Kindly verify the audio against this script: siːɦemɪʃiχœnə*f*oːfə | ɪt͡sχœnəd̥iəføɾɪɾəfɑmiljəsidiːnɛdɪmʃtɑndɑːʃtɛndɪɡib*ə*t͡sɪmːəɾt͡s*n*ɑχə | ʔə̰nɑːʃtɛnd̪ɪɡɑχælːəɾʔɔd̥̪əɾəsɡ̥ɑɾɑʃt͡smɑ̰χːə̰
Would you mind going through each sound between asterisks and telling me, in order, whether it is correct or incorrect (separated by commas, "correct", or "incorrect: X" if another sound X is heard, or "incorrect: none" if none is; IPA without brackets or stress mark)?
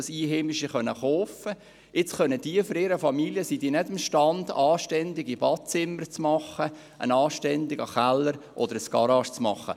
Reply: incorrect: χ, incorrect: ɑ, incorrect: m